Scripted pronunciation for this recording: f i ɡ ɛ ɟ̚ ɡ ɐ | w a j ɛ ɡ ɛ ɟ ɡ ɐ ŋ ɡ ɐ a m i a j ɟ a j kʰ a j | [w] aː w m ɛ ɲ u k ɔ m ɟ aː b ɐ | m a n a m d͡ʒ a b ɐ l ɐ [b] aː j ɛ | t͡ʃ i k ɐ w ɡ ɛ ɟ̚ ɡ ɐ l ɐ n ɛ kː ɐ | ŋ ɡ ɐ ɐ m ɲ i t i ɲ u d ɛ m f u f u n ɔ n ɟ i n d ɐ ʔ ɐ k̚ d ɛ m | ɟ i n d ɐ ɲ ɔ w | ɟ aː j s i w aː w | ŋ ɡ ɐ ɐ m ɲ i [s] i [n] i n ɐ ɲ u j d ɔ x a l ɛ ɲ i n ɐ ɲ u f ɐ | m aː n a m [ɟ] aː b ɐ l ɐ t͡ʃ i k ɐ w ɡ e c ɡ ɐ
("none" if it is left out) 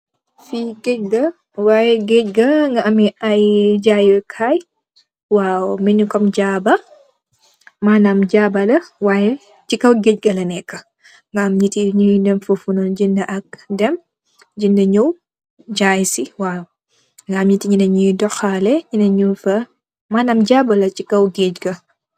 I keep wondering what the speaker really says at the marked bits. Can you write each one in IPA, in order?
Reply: w, w, t, ɲ, ɟ

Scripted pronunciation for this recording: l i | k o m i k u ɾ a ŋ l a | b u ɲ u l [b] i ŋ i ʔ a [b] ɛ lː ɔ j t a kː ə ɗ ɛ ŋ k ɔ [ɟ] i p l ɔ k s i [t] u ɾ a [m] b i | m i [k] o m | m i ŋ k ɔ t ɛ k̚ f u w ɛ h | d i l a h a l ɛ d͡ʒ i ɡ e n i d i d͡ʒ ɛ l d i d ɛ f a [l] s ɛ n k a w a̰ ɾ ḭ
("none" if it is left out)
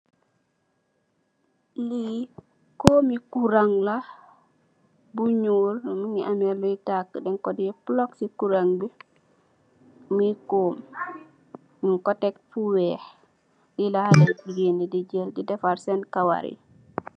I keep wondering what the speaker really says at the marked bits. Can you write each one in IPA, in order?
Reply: m, m, d, k, ŋ, k, ɾ

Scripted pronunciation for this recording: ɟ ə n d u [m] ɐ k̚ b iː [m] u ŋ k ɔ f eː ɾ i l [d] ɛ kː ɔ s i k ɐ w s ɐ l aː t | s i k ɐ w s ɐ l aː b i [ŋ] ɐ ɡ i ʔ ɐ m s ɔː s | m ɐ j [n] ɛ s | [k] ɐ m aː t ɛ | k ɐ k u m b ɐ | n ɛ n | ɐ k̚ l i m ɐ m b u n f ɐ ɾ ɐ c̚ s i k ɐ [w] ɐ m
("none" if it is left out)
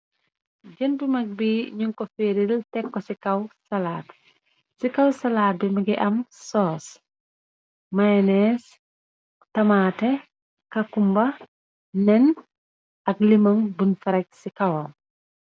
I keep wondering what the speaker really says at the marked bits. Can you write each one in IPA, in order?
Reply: m, ɲ, t, m, n, t, w

